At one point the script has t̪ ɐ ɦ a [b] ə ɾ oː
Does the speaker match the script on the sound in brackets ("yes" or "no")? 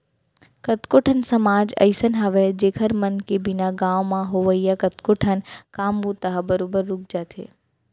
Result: yes